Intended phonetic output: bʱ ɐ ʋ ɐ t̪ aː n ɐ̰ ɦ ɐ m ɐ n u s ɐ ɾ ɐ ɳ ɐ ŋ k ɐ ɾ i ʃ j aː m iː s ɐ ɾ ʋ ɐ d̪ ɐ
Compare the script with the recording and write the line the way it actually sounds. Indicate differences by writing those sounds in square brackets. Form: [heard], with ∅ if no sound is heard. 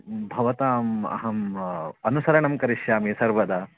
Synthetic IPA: bʱ ɐ ʋ ɐ t̪ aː [m] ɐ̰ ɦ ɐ m ɐ n u s ɐ ɾ ɐ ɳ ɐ [m] k ɐ ɾ i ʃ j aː m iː s ɐ ɾ ʋ ɐ d̪ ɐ